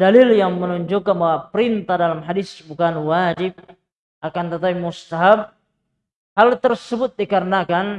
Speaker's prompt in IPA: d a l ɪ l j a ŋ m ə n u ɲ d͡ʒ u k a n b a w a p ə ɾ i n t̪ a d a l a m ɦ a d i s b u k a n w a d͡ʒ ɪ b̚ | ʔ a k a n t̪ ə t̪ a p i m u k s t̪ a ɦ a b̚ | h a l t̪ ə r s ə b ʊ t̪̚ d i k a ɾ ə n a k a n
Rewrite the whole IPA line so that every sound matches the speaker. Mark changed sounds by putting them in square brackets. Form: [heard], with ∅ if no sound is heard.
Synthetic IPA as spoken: d a l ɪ l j a ŋ m ə n u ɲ d͡ʒ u k a n b a w a p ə ɾ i n t̪ a d a l a m ɦ a d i s b u k a n w a d͡ʒ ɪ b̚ | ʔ a k a n t̪ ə t̪ a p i m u [∅] s t̪ a ɦ a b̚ | h a l t̪ ə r s ə b ʊ t̪̚ d i k a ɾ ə n a k a n

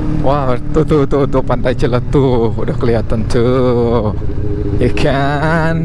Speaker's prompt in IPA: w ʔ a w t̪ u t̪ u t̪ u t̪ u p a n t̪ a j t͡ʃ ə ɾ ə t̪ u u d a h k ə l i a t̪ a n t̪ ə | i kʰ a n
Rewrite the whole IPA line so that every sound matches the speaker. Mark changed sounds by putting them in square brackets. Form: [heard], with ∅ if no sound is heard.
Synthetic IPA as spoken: w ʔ a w t̪ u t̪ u t̪ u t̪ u p a n t̪ a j t͡ʃ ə [l] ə t̪ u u d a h k ə l i a t̪ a n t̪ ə | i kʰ a n

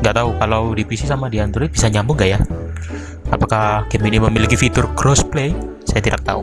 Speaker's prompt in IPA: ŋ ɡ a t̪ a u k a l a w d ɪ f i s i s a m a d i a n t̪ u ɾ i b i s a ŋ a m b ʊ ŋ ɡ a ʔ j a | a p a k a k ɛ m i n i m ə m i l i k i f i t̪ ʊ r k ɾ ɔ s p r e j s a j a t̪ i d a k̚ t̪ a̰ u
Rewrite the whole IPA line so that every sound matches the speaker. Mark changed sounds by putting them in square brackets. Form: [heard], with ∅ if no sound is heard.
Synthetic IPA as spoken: ŋ ɡ a t̪ a u k a l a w d [i] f i s i s a m a d i a n t̪ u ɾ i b i s a [ɲ] a m b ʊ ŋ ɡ a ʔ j a | a p a k a k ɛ m i n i m ə m i l i k i f i t̪ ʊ r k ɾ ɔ s p [l] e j s a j a t̪ i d a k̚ t̪ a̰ u

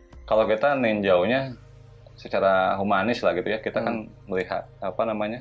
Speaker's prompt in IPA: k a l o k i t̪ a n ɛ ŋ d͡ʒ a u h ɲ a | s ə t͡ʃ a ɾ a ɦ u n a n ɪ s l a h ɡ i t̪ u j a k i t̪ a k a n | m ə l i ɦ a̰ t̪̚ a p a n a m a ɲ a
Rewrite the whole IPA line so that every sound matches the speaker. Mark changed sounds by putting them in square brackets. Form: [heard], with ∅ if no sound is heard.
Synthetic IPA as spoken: k a l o k i t̪ a n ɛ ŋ d͡ʒ a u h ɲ a | s ə t͡ʃ a ɾ a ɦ u [m] a n ɪ s l a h ɡ i t̪ u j a k i t̪ a k a n | m ə l i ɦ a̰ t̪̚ a p a n a m a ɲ a

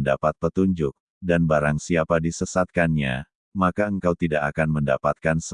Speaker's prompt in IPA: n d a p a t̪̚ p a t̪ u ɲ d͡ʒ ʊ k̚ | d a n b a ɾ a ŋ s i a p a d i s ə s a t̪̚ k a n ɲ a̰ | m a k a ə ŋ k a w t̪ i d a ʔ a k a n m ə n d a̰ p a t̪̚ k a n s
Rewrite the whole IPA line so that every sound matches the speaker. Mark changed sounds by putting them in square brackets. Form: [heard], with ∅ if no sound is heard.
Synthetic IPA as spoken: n d a p a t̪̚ p [ə] t̪ u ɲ d͡ʒ ʊ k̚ | d a n b a ɾ a ŋ s i a p a d i s ə s a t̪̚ k a n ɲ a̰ | m a k a ə ŋ k a w t̪ i d a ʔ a k a n m ə n d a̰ p a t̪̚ k a n s

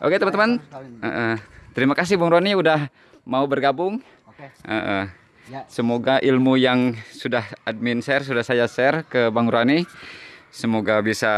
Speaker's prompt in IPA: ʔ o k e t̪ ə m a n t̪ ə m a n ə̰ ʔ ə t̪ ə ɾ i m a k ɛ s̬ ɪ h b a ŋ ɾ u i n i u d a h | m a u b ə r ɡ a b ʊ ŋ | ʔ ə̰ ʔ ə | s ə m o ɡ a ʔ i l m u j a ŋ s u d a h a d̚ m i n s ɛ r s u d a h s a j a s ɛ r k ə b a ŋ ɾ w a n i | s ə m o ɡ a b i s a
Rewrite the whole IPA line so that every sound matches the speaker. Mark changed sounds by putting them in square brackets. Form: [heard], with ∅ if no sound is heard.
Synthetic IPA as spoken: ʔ o k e t̪ ə m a n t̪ ə m a n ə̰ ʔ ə t̪ ə ɾ i m a k [a] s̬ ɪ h b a ŋ ɾ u [a] n i u d a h | m a u b ə r ɡ a b ʊ ŋ | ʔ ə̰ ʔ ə | s ə m o ɡ a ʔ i l m u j a ŋ s u d a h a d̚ m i n s ɛ r s u d a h s a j a s ɛ r k ə b a ŋ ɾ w a n i | s ə m o ɡ a b i s a

